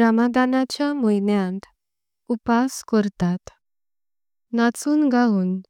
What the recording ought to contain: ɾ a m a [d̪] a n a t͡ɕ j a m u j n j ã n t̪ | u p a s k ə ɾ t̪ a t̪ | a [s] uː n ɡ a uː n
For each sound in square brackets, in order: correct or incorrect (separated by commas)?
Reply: correct, incorrect